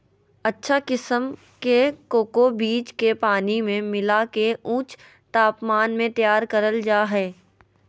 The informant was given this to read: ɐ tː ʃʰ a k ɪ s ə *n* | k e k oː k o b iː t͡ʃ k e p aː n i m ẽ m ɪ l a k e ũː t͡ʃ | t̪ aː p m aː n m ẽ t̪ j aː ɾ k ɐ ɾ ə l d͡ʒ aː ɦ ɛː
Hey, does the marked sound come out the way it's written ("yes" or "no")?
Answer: no